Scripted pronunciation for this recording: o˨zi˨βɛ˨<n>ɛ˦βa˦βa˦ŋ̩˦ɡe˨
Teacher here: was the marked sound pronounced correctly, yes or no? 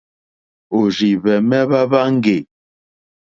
no